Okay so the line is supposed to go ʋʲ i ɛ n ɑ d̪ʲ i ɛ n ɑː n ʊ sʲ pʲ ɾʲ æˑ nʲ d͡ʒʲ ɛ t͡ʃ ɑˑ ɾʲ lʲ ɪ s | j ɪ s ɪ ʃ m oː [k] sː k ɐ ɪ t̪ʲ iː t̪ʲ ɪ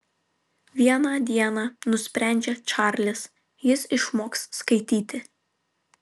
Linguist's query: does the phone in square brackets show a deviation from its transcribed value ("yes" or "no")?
no